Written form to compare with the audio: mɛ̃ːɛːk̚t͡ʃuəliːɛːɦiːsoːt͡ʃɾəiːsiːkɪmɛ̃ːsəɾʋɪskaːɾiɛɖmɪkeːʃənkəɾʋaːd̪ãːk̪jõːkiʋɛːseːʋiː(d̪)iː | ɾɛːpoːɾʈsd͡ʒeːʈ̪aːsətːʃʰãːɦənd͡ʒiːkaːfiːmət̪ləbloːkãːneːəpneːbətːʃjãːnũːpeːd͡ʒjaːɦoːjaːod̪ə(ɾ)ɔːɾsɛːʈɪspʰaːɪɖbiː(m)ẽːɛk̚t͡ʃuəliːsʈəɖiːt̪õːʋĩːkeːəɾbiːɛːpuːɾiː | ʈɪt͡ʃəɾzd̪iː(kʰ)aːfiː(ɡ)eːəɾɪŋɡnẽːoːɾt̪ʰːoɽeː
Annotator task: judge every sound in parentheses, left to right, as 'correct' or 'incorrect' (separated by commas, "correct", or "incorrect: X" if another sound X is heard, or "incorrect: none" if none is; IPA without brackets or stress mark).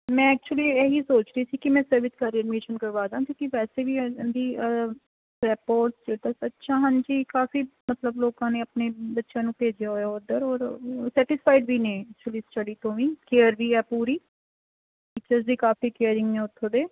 correct, correct, incorrect: n, incorrect: k, incorrect: k